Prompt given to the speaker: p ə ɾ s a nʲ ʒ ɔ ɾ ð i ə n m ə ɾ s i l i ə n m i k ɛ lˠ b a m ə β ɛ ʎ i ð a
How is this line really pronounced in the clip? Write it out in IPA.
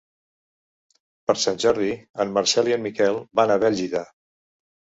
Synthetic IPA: p ə ɾ s a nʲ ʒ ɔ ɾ ð i ə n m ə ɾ s ɛ l i ə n m i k ɛ lˠ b a n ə β ɛ ʎ i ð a

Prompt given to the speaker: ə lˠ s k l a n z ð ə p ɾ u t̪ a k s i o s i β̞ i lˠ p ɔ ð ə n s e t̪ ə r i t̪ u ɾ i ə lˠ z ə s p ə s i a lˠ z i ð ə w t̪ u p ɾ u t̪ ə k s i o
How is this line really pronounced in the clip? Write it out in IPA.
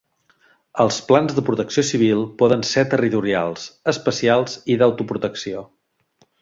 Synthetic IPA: ə lˠ s p l a n z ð ə p ɾ u t̪ ə k s i o s i β̞ i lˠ p ɔ ð ə n s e t̪ ə r i t̪ u ɾ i a lˠ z ə s p ə s i a lˠ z i ð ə w t̪ u p ɾ u t̪ ə k s i o

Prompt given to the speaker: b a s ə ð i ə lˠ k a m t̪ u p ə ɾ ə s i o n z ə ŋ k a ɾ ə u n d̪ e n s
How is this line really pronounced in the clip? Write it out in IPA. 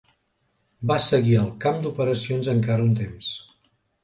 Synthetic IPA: b a s ə ɣ i ə lˠ k a m d̪ u p ə ɾ ə s i o n z ə ŋ k a ɾ ə u n t̪ e m s

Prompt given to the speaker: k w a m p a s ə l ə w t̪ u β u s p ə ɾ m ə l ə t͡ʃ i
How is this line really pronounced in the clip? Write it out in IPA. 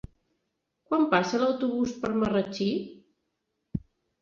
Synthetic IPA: k w a m p a s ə l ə w t̪ u β u s p ə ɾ m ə r ə t͡ʃ i

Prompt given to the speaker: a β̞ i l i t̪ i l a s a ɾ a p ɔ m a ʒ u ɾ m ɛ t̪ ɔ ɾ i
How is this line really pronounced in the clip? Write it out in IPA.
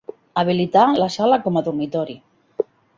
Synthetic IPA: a β̞ i l i t̪ a l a s a l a k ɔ m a ð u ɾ m i t̪ ɔ ɾ i

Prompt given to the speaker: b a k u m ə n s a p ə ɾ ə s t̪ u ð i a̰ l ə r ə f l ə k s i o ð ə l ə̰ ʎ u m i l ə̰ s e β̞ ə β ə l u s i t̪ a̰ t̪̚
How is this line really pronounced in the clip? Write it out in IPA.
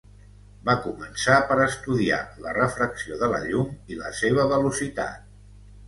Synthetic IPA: b a k u m ə n s a p ə ɾ ə s t̪ u ð i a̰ l ə r ə f ɾ ə k s i o ð ə l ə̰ ʎ u m i l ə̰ s e β̞ ə β ə l u s i t̪ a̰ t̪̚

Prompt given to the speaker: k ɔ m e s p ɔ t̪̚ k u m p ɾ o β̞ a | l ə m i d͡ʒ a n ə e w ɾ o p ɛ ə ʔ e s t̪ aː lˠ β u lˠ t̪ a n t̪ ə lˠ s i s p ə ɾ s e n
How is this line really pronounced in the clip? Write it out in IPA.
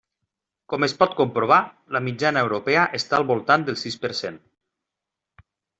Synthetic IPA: k ɔ m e s p ɔ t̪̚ k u m p ɾ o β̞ a | l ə m i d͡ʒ a n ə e w ɾ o p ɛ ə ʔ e s t̪ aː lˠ β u lˠ t̪ a n d̪ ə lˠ s i s p ə ɾ s e n

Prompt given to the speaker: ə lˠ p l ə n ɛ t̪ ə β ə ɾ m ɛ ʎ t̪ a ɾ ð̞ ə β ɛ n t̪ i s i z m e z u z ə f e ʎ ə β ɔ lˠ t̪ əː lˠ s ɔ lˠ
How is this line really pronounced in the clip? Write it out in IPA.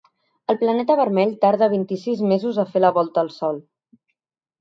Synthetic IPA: ə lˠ p l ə n ɛ t̪ ə β ə ɾ m ɛ ʎ t̪ a ɾ ð̞ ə β i n t̪ i s i z m e z u z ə f e l ə β ɔ lˠ t̪ əː lˠ s ɔ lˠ

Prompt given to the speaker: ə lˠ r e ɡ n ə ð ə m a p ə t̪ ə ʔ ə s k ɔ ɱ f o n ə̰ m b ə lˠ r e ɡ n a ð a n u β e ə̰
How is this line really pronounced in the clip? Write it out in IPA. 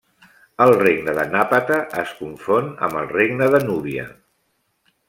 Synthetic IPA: ə lˠ r e ɡ n ə ð ə n a p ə t̪ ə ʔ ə s k u ɱ f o n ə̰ m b ə lˠ r e ɡ n ə ð ə n u β i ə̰

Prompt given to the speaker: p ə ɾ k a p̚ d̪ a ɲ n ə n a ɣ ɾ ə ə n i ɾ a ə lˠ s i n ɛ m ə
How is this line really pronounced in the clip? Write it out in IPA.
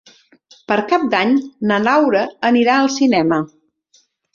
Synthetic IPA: p ə ɾ k a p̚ d̪ a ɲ n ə n a w ɾ ə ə n i ɾ a ə lˠ s i n ɛ m ə

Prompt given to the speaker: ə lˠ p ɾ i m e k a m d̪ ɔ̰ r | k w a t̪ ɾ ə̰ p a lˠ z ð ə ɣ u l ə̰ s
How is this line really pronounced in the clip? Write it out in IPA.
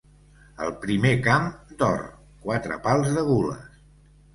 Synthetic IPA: ə lˠ p ɾ i m e k a m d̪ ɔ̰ r | k w a t̪ ɾ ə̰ p a lˠ z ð ə ɣ u l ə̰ s

